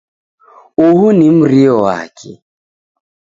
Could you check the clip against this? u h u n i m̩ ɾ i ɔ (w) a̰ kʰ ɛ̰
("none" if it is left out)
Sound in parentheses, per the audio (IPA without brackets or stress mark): w